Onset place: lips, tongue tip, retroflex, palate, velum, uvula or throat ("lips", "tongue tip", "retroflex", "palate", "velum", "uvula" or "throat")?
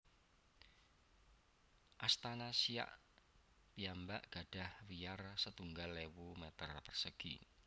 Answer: throat